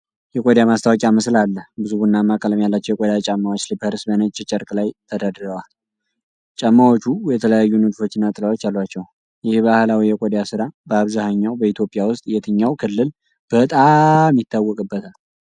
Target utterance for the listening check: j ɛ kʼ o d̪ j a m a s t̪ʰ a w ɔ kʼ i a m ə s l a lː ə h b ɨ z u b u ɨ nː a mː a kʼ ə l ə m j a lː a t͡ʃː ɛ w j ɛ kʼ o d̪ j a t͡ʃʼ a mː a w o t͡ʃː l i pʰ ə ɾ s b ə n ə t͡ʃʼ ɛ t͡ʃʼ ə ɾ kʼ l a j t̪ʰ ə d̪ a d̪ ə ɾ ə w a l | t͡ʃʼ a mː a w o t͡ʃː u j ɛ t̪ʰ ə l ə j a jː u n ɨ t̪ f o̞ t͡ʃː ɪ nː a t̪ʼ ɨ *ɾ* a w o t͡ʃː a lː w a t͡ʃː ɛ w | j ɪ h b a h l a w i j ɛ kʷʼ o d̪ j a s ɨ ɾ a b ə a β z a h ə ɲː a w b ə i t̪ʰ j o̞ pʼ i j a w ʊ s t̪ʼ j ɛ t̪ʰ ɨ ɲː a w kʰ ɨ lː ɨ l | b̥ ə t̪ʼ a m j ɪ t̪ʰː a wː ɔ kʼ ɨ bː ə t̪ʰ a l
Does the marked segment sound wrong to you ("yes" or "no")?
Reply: yes